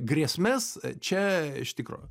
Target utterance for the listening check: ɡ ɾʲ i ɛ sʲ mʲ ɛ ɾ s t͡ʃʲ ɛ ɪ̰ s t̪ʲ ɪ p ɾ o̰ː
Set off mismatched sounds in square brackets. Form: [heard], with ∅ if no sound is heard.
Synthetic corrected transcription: ɡ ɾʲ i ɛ sʲ mʲ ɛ [∅] s t͡ʃʲ ɛ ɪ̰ [ʃ] t̪ʲ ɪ [k] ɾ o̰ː